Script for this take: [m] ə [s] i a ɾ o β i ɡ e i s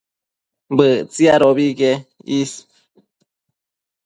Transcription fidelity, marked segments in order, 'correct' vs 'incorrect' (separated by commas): incorrect, incorrect